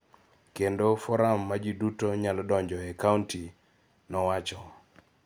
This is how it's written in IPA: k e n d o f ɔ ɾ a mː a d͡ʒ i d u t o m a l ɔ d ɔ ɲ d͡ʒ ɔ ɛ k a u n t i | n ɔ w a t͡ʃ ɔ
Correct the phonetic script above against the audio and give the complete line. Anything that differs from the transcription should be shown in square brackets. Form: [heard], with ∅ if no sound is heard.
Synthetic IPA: k e n d o f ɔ ɾ a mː a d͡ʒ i d u t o [ɲ] a l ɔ d ɔ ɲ d͡ʒ ɔ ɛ k a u n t i | n ɔ w a t͡ʃ ɔ